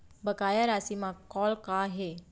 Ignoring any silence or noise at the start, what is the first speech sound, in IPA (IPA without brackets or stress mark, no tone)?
b